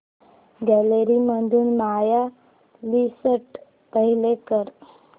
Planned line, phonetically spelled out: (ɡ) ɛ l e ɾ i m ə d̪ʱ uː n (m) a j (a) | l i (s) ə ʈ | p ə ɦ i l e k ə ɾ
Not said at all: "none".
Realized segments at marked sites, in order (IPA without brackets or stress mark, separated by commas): ɡ, m, a, s